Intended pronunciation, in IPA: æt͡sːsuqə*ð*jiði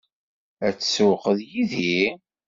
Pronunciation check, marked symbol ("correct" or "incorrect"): correct